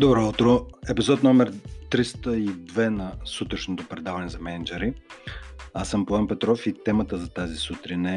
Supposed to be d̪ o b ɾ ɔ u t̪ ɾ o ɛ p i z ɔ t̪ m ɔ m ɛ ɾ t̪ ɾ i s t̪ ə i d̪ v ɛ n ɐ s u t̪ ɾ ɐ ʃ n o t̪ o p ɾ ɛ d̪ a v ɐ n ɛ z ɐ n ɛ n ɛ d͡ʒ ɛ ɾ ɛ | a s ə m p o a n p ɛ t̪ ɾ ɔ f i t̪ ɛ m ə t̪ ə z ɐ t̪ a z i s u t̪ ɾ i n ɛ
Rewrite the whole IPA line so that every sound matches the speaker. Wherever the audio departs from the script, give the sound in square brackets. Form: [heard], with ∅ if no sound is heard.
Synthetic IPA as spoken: d̪ o b ɾ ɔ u t̪ ɾ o ɛ p i z ɔ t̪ [n] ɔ m ɛ ɾ t̪ ɾ i s t̪ ə i d̪ v ɛ n ɐ s u t̪ ɾ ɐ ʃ n o t̪ o p ɾ ɛ d̪ a v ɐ n ɛ z ɐ [m] ɛ n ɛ d͡ʒ ɛ ɾ [i] | a s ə m p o a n p ɛ t̪ ɾ ɔ f i t̪ ɛ m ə t̪ ə z ɐ t̪ a z i s u t̪ ɾ i n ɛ